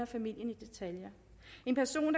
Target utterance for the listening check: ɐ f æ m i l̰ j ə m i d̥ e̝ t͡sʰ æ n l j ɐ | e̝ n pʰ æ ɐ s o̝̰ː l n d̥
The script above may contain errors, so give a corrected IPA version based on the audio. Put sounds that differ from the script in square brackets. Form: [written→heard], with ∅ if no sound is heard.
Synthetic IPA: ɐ f æ m i l̰ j ə [m→n] i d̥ e̝ t͡sʰ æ [n→∅] l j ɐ | e̝ n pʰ æ ɐ s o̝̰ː [l→∅] n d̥

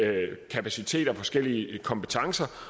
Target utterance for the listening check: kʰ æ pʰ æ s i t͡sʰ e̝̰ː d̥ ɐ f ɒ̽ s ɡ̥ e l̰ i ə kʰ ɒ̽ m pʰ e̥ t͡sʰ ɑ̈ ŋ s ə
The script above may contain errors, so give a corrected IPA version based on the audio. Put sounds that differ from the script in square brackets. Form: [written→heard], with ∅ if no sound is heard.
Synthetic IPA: kʰ æ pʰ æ s i t͡sʰ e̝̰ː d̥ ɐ f ɒ̽ s ɡ̥ e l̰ i ə kʰ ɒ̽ m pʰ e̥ t͡sʰ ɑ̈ ŋ s [ə→ɐ]

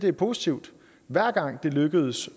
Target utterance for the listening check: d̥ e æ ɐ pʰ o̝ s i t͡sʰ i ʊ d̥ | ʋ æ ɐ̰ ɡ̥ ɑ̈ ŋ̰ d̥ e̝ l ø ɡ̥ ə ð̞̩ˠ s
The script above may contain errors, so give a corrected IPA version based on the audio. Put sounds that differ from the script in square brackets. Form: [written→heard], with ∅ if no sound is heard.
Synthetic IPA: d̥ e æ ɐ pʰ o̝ s i t͡sʰ i ʊ d̥ | ʋ æ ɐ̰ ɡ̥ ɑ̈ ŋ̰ d̥ e̝ l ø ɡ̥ ə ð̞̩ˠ s

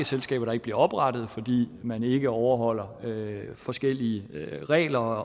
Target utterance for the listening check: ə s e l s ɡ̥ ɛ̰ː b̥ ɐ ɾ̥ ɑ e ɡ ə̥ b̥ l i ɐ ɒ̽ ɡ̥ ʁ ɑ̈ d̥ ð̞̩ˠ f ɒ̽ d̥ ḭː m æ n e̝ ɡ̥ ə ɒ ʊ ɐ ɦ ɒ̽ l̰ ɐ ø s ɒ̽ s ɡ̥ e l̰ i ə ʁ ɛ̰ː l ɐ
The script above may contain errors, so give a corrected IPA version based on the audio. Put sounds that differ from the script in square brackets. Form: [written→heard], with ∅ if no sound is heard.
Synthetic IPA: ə s e l s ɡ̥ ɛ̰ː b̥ ɐ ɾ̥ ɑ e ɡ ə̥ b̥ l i ɐ ɒ̽ [ɡ̥→b̥] ʁ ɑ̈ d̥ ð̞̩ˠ f ɒ̽ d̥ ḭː m æ n e̝ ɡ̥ ə ɒ ʊ ɐ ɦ ɒ̽ l̰ ɐ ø [s→f] ɒ̽ s ɡ̥ e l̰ i ə ʁ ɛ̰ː l ɐ

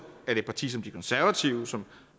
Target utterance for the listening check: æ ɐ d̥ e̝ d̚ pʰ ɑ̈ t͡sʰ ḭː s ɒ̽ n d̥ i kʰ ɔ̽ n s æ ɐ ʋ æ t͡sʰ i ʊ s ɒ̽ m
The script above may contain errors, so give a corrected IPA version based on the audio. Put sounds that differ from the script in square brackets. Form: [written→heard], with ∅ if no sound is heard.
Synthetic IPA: æ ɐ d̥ e̝ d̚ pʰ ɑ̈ t͡sʰ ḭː s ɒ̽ [n→m] d̥ i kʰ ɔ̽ n s æ ɐ ʋ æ t͡sʰ i ʊ s ɒ̽ m

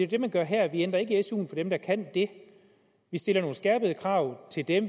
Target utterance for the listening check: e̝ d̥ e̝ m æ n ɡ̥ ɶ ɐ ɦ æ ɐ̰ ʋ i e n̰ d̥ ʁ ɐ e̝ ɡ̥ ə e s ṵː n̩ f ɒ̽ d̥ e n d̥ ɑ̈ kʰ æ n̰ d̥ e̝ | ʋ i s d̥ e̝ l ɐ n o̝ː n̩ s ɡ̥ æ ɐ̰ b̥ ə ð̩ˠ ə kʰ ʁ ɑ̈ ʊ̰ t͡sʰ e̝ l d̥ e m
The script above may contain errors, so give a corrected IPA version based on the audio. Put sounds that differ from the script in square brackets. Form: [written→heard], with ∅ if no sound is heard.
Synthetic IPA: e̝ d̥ e̝ m æ n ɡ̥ ɶ ɐ ɦ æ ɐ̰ ʋ i e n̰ d̥ ʁ ɐ e̝ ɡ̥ ə e s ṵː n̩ f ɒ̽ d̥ e [n→m] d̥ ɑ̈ kʰ æ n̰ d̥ e̝ | ʋ i s d̥ e̝ l ɐ n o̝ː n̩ s ɡ̥ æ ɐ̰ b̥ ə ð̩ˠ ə kʰ ʁ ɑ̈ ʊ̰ t͡sʰ e̝ l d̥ e m

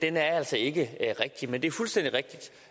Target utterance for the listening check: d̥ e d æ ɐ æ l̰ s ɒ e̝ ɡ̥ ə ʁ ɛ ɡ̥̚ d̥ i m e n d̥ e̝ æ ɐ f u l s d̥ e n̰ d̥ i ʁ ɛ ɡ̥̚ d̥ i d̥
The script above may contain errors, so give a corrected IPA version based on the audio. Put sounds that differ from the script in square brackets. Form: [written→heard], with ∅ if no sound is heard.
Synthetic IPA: d̥ e [d→n] æ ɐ æ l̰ s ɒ e̝ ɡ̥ ə ʁ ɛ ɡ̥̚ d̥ i m e n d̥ e̝ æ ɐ f u l s d̥ e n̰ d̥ i ʁ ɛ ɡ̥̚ d̥ i d̥

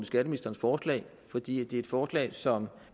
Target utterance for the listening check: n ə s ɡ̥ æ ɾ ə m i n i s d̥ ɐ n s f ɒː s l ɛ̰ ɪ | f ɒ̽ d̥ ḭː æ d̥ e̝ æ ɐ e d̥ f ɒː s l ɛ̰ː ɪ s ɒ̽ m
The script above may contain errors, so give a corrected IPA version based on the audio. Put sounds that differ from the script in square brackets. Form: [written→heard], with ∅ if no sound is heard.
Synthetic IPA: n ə s ɡ̥ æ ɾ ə m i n i s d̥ ɐ n s f ɒː s l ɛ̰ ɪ | f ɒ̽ d̥ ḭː æ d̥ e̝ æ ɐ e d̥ f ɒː s l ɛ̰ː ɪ s ɒ̽ m

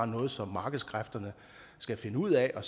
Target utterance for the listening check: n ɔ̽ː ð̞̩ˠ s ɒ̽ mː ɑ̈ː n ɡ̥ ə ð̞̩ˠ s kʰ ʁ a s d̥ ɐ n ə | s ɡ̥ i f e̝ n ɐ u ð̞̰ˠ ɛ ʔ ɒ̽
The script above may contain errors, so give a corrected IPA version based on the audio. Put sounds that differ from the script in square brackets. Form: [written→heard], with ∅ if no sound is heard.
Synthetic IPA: n ɔ̽ː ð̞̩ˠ s ɒ̽ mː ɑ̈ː [n→∅] ɡ̥ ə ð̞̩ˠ s kʰ ʁ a [s→f] d̥ ɐ n ə | s ɡ̥ [i→æ] f e̝ n [ɐ→ə] u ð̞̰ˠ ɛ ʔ ɒ̽

